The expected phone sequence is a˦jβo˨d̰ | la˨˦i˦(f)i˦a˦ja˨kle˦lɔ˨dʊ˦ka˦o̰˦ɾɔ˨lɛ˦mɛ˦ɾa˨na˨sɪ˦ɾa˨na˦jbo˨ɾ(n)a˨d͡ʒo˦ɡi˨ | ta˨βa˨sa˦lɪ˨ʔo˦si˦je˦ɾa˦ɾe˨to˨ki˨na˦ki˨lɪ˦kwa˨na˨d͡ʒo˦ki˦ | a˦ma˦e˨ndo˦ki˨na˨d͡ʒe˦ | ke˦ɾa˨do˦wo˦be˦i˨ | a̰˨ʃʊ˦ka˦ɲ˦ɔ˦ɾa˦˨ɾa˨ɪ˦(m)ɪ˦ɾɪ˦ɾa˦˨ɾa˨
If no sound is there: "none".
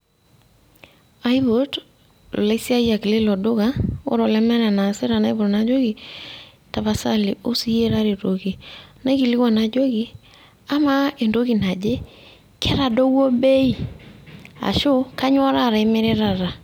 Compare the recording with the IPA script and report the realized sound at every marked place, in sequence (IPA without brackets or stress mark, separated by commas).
s, n, m